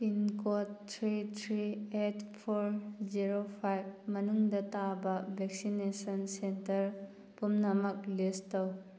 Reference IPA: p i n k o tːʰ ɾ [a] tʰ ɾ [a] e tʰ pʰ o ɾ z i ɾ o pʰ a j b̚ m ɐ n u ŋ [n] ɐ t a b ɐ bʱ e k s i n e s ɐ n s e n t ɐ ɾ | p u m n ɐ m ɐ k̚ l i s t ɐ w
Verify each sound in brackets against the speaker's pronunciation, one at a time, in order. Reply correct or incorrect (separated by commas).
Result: incorrect, incorrect, incorrect